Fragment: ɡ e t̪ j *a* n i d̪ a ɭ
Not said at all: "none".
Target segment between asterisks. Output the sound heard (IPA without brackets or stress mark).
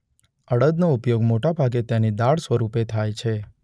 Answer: a